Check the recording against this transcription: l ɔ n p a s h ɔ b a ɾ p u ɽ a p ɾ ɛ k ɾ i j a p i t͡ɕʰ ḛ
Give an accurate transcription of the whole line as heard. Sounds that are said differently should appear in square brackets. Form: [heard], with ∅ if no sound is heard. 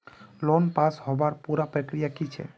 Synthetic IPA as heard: l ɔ n p a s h ɔ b a ɾ p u [ɾ] a p ɾ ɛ k ɾ i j a [k] i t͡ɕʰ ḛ